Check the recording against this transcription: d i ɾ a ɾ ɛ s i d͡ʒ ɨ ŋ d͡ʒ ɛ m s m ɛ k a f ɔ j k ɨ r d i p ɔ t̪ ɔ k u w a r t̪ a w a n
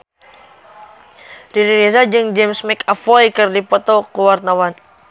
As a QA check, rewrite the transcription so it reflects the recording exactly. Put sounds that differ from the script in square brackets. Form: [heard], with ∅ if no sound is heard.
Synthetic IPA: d i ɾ [i] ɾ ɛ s [a] d͡ʒ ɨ ŋ d͡ʒ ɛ m s m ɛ k a f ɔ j k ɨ r d i p ɔ t̪ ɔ k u w a r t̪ a w a n

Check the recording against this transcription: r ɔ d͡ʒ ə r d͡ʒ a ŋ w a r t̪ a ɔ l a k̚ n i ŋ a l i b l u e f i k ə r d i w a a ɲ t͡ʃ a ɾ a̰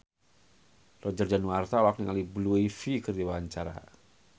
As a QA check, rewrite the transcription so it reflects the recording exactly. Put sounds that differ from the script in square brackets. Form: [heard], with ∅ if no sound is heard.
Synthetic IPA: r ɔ d͡ʒ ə r d͡ʒ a [n] w a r t̪ a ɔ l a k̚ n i ŋ a l i b l u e f i k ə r d i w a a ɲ t͡ʃ a ɾ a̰

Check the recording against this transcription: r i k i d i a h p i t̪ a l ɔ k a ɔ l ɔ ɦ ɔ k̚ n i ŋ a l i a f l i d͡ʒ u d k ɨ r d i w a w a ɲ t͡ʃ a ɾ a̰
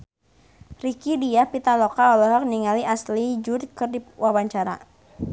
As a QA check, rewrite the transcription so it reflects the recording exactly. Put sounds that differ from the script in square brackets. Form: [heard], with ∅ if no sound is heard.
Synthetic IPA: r i k i d i a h p i t̪ a l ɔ k a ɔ l ɔ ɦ ɔ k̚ n i ŋ a l i a [s] l i d͡ʒ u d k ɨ r d i w a w a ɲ t͡ʃ a ɾ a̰

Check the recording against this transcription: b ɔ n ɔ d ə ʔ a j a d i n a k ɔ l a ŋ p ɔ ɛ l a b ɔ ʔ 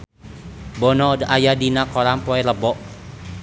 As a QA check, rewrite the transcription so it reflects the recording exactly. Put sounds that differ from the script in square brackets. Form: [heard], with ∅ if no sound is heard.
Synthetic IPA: b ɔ n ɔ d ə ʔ a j a d i n a k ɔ [ɾ] a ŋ p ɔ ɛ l [ə] b ɔ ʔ

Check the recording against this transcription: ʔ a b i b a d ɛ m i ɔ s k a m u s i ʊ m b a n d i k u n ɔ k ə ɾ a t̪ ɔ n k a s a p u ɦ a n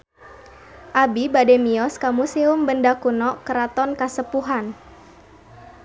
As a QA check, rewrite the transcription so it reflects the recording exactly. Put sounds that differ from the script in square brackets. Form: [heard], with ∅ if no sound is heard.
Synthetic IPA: ʔ a b i b a d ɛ m i ɔ s k a m u s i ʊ m b [ə] n d [a] k u n ɔ k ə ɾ a t̪ ɔ n k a s [ə] p u ɦ a n

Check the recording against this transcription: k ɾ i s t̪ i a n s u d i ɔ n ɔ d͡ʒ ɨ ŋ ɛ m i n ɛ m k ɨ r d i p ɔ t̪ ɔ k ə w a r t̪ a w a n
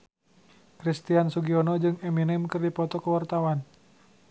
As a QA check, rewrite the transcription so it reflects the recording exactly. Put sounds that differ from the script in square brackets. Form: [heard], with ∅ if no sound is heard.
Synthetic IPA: k ɾ i s t̪ i a n s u [ɡ] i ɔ n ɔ d͡ʒ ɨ ŋ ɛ m i n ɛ m k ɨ r d i p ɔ t̪ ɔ k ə w a r t̪ a w a n

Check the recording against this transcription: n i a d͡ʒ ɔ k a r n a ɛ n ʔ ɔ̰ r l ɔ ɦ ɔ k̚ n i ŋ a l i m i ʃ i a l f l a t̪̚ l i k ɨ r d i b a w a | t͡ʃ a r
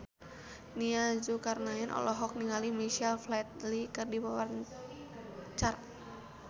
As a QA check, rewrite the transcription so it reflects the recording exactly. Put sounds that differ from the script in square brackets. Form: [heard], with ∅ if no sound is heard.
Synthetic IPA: n i a d͡ʒ [u] k a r n a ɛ n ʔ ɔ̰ [∅] l ɔ ɦ ɔ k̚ n i ŋ a l i m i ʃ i a l f l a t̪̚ l i k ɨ r d i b a w a | t͡ʃ a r

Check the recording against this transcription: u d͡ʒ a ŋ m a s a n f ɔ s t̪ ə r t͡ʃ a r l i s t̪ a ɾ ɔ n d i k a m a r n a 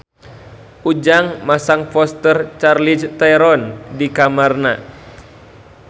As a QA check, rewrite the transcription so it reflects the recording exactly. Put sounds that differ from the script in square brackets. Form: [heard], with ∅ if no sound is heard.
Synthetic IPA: u d͡ʒ a ŋ m a s a [ŋ] f ɔ s t̪ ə r t͡ʃ a r l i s t̪ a ɾ ɔ n d i k a m a r n a

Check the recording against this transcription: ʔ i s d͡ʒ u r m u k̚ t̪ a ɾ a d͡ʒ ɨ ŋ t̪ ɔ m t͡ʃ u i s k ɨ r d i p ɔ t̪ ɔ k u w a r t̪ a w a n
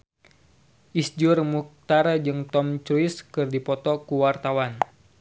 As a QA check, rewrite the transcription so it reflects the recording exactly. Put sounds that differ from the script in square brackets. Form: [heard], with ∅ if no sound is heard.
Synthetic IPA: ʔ i s d͡ʒ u r m u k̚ t̪ a ɾ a d͡ʒ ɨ ŋ t̪ ɔ m t͡ʃ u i s k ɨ r d i p ɔ t̪ ɔ k u w a r t̪ a w a n

